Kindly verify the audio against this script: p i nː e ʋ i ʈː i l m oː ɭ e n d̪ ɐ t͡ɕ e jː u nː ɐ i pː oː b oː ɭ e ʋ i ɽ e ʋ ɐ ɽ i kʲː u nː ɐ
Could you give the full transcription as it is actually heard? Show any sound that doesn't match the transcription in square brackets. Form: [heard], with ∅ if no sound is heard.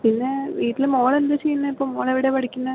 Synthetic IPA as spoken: p i nː e ʋ [iː] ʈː i l m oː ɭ e n d̪ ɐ t͡ɕ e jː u nː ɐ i pː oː [m] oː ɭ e ʋ i ɽ e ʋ ɐ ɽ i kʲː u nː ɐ

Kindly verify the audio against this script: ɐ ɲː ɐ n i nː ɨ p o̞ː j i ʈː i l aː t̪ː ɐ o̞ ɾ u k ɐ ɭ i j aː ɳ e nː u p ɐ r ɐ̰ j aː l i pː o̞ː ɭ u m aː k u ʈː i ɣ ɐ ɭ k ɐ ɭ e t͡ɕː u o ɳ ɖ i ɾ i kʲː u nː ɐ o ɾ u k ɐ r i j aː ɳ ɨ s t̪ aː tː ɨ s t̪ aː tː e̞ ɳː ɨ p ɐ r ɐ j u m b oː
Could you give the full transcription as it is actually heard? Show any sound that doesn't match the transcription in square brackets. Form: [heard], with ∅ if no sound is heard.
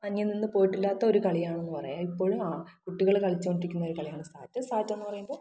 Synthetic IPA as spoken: ɐ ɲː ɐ n i nː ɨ p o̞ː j i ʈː i [lː] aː t̪ː ɐ o̞ ɾ u k ɐ ɭ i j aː ɳ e nː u p ɐ r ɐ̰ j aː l i pː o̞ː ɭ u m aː k u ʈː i ɣ ɐ ɭ k ɐ ɭ [i] t͡ɕː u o ɳ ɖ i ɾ i kʲː u nː ɐ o ɾ u k ɐ [ɭ] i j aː ɳ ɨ s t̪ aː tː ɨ s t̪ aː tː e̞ [nː] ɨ p ɐ r ɐ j u m b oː

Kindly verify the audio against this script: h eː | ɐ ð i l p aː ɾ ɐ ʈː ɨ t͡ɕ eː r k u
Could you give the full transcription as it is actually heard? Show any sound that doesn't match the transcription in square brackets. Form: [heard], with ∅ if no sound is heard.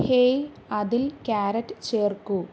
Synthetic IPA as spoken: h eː | ɐ ð i l [k] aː ɾ ɐ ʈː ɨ t͡ɕ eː r k u

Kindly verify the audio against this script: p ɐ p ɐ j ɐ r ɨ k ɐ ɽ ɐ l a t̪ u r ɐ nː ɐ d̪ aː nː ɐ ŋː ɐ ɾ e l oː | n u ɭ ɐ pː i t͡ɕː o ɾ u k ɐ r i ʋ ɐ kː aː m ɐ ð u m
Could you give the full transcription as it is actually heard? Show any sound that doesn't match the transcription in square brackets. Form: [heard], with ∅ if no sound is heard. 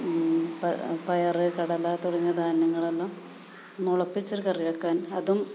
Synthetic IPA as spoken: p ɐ p ɐ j ɐ r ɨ k ɐ ɽ ɐ l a t̪ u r ɐ [ɲː] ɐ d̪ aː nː ɐ ŋː ɐ [ɭ] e [lː] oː | n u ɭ ɐ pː i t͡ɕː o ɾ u k ɐ r i ʋ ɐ kː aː [n] ɐ ð u m

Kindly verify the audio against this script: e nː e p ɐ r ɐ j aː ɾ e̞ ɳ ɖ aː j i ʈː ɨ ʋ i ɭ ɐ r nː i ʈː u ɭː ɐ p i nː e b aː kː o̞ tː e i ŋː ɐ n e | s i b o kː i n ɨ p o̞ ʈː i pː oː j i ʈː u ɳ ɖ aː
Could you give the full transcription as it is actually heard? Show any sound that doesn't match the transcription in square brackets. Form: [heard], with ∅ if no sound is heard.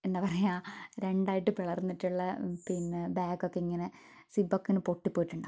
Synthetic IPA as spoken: e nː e p ɐ r ɐ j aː ɾ e̞ ɳ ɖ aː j i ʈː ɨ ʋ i ɭ ɐ r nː i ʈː u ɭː ɐ p i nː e b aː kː o̞ [kː] e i ŋː ɐ n e | s i b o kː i n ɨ p o̞ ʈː i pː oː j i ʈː u ɳ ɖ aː

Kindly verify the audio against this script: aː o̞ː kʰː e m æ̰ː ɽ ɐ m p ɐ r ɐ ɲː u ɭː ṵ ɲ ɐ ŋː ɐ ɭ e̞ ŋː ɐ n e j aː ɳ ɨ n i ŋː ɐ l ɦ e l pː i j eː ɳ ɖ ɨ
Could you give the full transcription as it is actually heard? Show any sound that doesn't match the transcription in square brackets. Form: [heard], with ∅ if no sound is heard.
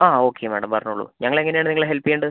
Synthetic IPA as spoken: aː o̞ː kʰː e m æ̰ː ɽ ɐ m p ɐ r ɐ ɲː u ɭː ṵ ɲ ɐ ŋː ɐ ɭ e̞ ŋː ɐ n e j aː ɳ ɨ n i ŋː ɐ [ɭ] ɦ e l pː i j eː ɳ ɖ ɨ

